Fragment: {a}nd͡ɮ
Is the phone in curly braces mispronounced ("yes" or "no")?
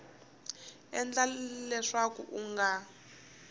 yes